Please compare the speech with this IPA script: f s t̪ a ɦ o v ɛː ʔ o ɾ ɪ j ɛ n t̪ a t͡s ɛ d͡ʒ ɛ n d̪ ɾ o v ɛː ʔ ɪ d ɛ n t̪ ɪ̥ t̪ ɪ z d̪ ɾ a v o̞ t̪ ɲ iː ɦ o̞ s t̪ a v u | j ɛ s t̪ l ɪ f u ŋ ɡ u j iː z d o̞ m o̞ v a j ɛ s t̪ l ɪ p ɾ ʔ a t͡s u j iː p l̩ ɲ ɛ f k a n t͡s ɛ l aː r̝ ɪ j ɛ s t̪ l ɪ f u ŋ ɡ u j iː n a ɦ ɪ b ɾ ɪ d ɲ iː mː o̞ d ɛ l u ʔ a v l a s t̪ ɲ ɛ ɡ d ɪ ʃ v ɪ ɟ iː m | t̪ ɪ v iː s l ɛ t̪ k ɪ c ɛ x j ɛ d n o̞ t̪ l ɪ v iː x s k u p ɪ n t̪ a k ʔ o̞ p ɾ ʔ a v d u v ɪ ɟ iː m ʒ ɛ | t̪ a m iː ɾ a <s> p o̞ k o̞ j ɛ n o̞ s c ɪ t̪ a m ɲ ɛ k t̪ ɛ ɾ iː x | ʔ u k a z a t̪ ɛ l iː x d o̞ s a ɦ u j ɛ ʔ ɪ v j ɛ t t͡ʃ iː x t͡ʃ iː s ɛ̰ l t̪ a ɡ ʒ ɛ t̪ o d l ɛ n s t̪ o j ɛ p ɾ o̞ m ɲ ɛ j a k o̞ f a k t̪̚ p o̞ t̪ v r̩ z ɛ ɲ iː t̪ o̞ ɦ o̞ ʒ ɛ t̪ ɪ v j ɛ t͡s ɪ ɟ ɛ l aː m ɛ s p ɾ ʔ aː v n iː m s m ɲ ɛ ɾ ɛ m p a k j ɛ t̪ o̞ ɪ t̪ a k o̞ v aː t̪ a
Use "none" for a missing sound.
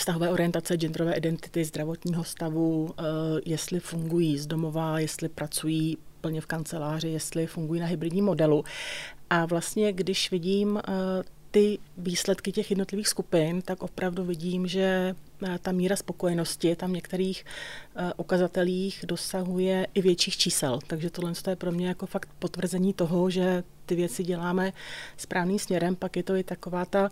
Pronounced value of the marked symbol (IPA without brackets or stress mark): s